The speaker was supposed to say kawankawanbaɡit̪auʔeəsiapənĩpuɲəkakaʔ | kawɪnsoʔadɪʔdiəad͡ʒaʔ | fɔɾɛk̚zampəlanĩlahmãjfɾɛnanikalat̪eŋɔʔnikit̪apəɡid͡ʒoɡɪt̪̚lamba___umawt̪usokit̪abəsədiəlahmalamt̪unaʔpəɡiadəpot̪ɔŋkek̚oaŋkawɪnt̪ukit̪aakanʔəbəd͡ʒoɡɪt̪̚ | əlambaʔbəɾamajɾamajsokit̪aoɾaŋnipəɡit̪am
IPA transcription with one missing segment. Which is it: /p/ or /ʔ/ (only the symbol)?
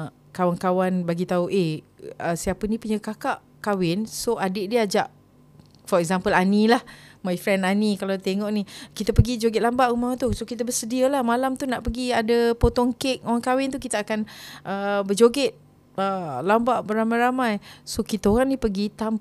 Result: ʔ